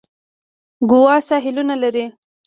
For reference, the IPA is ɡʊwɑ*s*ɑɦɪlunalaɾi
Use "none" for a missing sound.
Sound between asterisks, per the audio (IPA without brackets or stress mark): s